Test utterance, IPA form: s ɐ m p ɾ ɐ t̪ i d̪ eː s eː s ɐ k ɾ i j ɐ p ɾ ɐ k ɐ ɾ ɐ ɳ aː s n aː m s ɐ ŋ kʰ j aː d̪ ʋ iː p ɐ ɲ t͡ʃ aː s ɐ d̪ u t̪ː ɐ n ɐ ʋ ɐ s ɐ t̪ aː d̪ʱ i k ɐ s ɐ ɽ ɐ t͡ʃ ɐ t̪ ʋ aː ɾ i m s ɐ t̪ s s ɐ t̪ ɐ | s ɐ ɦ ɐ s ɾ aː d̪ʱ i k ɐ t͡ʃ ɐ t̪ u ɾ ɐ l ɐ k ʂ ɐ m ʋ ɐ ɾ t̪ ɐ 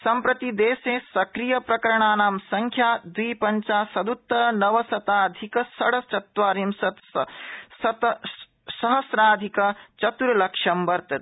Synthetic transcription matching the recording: s ɐ m p ɾ ɐ t̪ i d̪ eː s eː s ɐ k ɾ i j ɐ p ɾ ɐ k ɐ ɾ ɐ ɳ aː n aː m s ɐ ŋ kʰ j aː d̪ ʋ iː p ɐ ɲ t͡ʃ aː s ɐ d̪ u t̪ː ɐ n ɐ ʋ ɐ s ɐ t̪ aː d̪ʱ i k ɐ s ɐ ɽ ɐ t͡ʃ ɐ t̪ ʋ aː ɾ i m s ɐ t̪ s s ɐ t̪ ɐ | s ɐ ɦ ɐ s ɾ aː d̪ʱ i k ɐ t͡ʃ ɐ t̪ u ɾ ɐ l ɐ k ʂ ɐ m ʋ ɐ ɾ t̪ ɐ